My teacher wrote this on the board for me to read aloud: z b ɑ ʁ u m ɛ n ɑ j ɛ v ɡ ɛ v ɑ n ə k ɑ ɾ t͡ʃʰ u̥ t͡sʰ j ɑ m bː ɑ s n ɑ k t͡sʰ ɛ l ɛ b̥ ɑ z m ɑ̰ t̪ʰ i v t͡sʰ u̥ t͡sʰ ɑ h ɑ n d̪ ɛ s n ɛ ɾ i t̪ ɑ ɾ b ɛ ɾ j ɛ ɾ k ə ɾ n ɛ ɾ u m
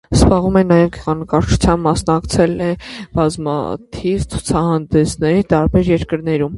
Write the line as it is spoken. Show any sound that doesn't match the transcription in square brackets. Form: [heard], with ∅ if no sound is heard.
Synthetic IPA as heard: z b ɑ ʁ u m ɛ n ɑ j ɛ v ɡ ɛ [ʁ] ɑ n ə k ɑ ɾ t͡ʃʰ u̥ t͡sʰ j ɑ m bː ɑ s n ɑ k t͡sʰ ɛ l ɛ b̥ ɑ z m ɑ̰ t̪ʰ i v t͡sʰ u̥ t͡sʰ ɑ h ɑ n d̪ ɛ s n ɛ ɾ i t̪ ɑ ɾ b ɛ ɾ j ɛ ɾ k ə ɾ n ɛ ɾ u m